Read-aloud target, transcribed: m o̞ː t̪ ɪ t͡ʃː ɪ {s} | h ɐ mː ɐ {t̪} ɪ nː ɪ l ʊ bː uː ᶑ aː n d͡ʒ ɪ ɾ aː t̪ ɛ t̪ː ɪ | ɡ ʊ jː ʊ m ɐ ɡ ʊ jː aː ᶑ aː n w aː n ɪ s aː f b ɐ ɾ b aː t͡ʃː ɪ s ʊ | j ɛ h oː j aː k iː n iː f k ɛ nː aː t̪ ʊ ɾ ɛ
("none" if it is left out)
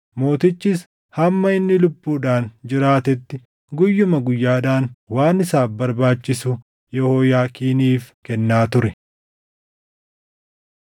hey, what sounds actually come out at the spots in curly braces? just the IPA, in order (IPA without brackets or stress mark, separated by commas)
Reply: s, none